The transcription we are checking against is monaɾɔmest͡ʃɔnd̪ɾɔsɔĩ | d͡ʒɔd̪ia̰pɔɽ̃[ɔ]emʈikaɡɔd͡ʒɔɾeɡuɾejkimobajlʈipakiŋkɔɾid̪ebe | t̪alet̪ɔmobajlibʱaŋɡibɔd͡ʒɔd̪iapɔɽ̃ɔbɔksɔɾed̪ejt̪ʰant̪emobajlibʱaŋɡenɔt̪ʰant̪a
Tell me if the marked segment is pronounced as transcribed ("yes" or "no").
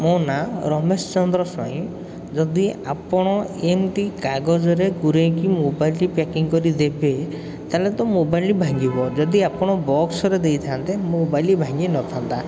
yes